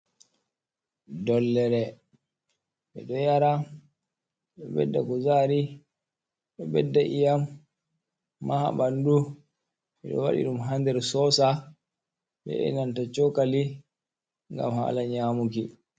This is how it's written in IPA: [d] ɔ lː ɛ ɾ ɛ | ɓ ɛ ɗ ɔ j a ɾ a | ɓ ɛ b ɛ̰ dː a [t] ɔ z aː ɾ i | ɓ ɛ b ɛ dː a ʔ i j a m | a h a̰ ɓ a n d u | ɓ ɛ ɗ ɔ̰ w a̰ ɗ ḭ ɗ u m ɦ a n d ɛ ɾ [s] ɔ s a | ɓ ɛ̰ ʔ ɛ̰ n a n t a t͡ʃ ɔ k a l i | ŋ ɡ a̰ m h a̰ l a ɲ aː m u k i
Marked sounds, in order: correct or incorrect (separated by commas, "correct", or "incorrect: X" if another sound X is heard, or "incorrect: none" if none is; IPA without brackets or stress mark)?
correct, incorrect: k, correct